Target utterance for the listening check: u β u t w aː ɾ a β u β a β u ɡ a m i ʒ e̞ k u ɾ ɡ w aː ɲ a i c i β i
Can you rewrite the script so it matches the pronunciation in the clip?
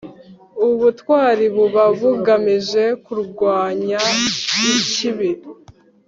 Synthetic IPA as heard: u β u t w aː ɾ i β u β a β u ɡ a m i ʒ e̞ k u ɾ ɡ w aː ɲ a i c i β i